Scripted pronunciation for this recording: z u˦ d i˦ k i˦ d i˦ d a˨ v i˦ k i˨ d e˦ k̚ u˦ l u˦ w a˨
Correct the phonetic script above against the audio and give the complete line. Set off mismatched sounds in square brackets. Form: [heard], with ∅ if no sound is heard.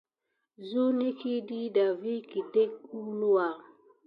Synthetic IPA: z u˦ [n] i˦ k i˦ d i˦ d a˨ v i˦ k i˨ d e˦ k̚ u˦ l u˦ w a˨